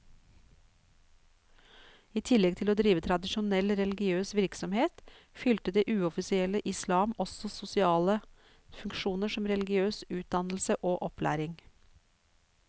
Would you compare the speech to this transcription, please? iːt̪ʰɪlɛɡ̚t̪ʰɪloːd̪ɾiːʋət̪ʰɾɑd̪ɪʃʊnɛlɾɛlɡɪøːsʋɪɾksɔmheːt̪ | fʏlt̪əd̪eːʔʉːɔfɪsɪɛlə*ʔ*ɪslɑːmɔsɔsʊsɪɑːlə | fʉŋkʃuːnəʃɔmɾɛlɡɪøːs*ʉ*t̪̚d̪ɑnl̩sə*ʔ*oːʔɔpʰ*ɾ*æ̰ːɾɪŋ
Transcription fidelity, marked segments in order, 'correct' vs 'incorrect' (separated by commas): correct, incorrect, correct, incorrect